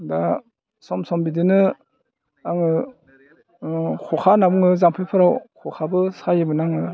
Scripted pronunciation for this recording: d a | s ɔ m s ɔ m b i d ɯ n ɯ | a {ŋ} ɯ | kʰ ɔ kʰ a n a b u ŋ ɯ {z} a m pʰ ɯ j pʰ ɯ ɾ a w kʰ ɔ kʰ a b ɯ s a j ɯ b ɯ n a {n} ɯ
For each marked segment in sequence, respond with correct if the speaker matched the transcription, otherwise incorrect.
correct, correct, incorrect: ŋ

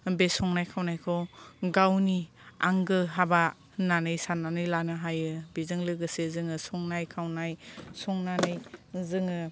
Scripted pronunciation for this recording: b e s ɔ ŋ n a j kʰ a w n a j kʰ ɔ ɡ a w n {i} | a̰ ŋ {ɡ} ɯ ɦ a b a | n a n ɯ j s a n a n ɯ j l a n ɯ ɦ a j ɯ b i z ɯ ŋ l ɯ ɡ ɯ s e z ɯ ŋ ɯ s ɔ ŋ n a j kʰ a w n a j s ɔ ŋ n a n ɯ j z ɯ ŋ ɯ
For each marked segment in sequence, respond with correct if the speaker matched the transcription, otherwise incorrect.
correct, correct

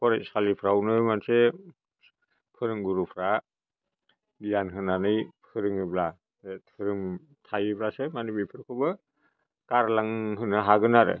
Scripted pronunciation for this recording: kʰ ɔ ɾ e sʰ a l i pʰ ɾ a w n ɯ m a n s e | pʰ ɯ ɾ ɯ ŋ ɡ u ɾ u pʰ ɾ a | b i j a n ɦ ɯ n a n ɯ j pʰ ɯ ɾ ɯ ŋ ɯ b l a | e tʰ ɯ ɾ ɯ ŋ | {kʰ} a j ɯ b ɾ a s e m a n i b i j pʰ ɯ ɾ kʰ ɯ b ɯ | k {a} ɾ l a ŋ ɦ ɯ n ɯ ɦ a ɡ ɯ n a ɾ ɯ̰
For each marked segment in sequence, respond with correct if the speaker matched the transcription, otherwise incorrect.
incorrect: tʰ, correct

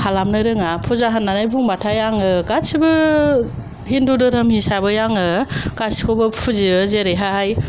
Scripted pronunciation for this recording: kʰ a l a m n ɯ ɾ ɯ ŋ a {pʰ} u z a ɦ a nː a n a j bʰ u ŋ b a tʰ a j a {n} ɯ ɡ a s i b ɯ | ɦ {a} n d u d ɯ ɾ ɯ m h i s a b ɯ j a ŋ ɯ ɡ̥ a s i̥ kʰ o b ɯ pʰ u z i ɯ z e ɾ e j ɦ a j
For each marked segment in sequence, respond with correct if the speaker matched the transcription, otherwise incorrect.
correct, incorrect: ŋ, incorrect: i

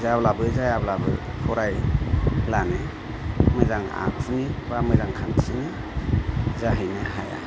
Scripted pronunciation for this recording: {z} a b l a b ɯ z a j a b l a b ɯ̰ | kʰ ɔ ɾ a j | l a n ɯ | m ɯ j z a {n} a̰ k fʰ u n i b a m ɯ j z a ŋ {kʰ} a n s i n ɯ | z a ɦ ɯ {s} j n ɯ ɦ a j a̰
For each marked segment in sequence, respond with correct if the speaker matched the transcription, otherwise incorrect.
correct, incorrect: ŋ, correct, incorrect: none

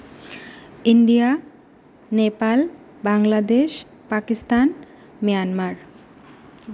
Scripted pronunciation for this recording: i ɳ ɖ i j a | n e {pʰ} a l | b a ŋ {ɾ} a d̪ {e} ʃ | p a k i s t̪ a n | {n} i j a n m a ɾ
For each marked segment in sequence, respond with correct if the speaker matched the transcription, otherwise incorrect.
incorrect: p, incorrect: l, correct, incorrect: m

